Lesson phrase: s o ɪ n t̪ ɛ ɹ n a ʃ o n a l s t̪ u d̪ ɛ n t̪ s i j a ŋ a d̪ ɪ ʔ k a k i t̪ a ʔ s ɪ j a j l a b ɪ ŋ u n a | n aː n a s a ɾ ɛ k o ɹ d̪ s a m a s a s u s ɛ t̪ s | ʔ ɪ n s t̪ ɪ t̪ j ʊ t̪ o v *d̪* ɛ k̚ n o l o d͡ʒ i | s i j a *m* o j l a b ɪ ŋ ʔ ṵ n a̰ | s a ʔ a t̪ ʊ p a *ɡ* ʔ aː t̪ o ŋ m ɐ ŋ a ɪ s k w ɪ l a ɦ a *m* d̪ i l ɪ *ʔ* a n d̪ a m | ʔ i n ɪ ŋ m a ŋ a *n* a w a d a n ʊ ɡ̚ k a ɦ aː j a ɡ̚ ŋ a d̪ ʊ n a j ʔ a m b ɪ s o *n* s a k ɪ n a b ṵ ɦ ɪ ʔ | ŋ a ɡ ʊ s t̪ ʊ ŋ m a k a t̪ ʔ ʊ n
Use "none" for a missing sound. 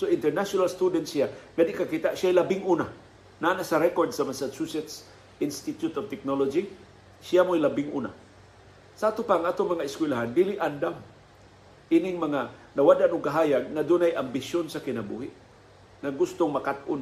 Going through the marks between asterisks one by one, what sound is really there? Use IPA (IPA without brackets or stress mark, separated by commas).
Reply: t̪, m, ŋ, n, ʔ, n, n